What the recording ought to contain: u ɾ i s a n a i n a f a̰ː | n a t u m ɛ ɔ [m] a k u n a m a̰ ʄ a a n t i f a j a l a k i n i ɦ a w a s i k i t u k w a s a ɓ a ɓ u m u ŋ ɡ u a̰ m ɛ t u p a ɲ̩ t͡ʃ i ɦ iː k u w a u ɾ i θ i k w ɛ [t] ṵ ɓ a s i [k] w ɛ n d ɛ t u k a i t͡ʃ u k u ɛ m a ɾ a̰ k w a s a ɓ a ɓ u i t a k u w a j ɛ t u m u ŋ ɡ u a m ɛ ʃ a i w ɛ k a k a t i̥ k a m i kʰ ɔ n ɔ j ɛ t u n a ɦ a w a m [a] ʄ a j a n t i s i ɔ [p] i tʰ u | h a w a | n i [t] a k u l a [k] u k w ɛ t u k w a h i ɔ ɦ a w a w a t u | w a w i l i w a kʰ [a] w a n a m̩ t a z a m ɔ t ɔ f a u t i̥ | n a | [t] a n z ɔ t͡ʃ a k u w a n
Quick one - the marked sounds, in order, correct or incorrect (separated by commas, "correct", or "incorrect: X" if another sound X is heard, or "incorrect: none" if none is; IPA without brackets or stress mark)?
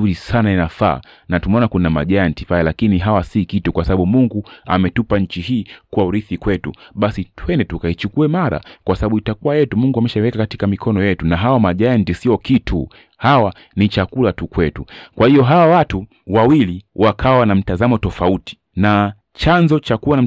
incorrect: n, correct, incorrect: t, correct, incorrect: k, incorrect: t͡ʃ, incorrect: t, correct, incorrect: t͡ʃ